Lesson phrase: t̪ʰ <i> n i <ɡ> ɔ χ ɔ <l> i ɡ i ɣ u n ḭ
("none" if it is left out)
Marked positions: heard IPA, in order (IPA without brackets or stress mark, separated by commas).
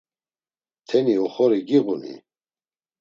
ɛ, none, ɾ